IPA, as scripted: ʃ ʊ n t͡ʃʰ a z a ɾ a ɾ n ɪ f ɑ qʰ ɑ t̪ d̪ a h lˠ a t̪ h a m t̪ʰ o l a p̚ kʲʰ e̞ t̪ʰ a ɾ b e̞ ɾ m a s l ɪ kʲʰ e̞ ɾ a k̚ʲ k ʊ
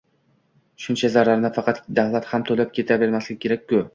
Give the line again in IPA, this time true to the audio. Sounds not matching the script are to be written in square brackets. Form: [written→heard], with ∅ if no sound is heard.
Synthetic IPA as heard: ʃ ʊ n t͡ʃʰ a z a ɾ a ɾ n ɪ f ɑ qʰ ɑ t̪ d̪ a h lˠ a t̪ h a m t̪ʰ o l a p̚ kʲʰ e̞ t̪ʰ a [ɾ→∅] b e̞ ɾ m a s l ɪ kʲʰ e̞ ɾ a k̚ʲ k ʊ